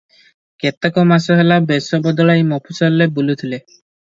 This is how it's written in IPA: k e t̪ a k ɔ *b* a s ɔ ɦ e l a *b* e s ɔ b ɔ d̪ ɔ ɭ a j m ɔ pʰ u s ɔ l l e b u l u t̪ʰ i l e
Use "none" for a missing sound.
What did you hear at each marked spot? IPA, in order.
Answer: m, b

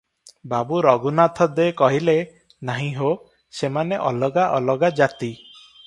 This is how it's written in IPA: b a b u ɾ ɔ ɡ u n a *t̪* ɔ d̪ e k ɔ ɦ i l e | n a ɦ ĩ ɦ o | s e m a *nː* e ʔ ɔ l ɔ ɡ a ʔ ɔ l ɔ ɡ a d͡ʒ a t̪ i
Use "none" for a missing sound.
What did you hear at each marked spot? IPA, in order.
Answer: t̪ʰ, n

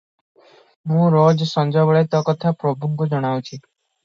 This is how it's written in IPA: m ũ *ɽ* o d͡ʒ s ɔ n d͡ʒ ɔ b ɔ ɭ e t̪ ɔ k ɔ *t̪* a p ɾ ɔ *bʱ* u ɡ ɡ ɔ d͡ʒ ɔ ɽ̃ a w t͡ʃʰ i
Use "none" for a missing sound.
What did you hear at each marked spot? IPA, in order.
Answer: ɾ, t̪ʰ, bʱ

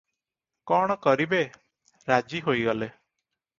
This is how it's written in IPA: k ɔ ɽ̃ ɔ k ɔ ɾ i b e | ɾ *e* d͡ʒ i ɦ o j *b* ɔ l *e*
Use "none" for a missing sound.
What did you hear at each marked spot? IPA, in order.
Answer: a, ɡ, e

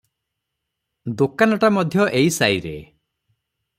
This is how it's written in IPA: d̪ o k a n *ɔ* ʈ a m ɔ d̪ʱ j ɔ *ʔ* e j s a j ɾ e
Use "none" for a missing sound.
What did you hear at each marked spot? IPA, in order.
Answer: ɔ, ʔ

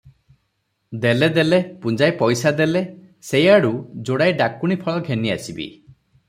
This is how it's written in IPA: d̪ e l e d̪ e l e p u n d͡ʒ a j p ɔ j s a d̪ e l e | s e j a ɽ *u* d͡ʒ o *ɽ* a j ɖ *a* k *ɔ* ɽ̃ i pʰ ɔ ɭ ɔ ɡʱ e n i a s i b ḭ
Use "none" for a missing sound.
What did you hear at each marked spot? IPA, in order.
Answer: u, ɽ, a, u

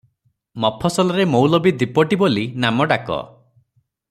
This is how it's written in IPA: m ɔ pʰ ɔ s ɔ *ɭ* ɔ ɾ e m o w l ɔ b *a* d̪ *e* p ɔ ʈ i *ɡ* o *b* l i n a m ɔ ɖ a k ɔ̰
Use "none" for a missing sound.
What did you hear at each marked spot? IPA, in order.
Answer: l, i, i, b, none

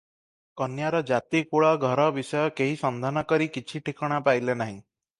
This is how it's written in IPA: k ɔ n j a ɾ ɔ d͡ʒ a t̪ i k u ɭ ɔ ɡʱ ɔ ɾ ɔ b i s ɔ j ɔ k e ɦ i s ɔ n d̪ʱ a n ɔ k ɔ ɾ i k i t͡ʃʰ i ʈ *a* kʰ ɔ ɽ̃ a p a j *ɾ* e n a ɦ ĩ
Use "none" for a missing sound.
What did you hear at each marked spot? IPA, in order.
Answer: i, l

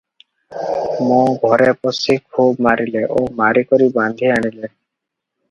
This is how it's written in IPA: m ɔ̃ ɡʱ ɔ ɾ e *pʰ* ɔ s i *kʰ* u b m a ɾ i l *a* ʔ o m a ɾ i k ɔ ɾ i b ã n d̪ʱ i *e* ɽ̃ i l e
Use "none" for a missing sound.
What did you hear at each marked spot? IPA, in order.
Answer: p, kʰ, e, a

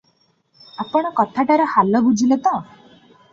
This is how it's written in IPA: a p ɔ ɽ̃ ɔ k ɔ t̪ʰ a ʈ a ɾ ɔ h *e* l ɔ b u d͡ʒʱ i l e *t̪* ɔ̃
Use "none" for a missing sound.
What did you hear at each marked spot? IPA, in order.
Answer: a, t̪

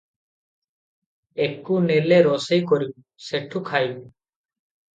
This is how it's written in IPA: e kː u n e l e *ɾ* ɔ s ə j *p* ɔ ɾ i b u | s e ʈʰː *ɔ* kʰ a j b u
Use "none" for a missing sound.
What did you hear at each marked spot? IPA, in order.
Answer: ɾ, k, u

